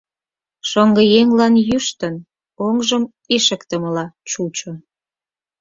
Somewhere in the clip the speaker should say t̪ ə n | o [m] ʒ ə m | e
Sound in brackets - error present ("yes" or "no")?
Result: yes